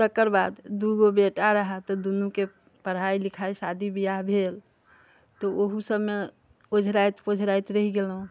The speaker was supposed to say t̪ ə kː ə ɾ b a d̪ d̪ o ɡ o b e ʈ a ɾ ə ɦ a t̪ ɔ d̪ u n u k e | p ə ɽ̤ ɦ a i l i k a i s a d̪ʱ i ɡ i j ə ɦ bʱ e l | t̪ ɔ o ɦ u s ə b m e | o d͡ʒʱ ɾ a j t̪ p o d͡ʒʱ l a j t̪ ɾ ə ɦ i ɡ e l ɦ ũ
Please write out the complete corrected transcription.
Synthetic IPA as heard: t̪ ə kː ə ɾ b a d̪ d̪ u ɡ o b e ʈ a ɾ ə ɦ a t̪ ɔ d̪ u n u k e | p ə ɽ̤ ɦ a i l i kʰ a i s a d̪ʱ i b i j a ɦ bʱ e l | t̪ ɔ o ɦ u s ə b m e | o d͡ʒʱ ɾ a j t̪ p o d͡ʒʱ ɾ a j t̪ ɾ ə ɦ i ɡ e l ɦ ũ

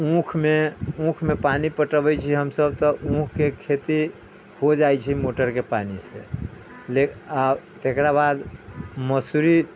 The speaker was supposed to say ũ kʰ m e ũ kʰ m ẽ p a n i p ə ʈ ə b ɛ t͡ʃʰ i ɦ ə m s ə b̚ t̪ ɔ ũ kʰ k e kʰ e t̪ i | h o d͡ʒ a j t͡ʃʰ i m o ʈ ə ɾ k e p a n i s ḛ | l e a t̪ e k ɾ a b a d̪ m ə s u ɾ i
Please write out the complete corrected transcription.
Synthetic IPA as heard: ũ kʰ m e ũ kʰ m e p a n i p ə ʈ ə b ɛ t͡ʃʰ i ɦ ə m s ə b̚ t̪ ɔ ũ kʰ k e kʰ e t̪ i | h o d͡ʒ a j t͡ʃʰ i m o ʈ ə ɾ k e p a n i s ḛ | l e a t̪ e k ɾ a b a d̪ m ə s u ɾ i

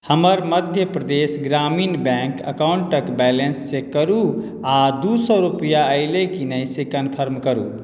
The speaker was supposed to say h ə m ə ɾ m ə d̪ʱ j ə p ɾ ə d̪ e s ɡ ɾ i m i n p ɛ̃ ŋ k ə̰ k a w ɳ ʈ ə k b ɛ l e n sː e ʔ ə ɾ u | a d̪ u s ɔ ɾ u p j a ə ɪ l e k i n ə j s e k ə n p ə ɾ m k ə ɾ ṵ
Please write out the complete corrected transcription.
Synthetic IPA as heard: h ə m ə ɾ m ə d̪ʱ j ə p ɾ ə d̪ e s ɡ ɾ a m i n b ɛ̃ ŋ k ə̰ k a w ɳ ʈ ə k b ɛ l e n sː e k ə ɾ u | a d̪ u s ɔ ɾ u p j a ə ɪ l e k i n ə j s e k ə n pʰ ə ɾ m k ə ɾ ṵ

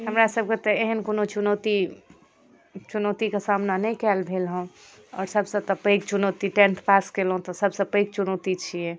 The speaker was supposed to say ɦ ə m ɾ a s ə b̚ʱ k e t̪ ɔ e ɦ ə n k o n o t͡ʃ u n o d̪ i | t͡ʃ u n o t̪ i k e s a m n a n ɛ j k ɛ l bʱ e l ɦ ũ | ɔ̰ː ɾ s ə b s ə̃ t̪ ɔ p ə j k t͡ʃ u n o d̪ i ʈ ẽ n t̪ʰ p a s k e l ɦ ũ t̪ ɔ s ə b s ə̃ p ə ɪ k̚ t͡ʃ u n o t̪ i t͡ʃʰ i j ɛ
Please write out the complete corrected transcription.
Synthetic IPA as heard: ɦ ə m ɾ a s ə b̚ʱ k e t̪ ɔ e ɦ ə n k o n o t͡ʃ u n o t̪ i | t͡ʃ u n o t̪ i k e s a m n a n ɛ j k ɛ l bʱ e l ɦ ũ | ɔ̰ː ɾ s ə b s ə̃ t̪ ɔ p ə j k t͡ʃ u n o t̪ i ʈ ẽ n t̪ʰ p a s k e l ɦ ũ t̪ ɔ s ə b s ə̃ p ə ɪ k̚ t͡ʃ u n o t̪ i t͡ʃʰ i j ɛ

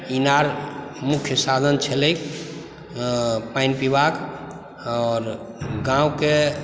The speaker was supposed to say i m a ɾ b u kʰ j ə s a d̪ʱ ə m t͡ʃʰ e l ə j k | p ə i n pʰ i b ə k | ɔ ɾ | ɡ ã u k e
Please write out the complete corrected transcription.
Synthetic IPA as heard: i n a ɾ m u kʰ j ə s a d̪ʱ ə n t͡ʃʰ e l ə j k | p a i n p i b a k | ɔ ɾ | ɡ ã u k e

